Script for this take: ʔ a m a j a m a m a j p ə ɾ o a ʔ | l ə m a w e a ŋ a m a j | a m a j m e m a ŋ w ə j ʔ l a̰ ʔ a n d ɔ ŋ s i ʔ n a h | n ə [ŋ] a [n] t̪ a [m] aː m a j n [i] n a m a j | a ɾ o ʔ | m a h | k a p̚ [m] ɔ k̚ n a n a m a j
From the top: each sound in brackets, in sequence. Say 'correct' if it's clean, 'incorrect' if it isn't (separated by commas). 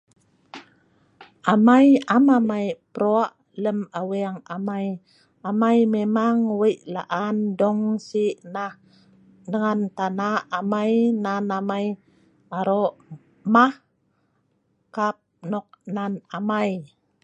correct, correct, incorrect, incorrect, incorrect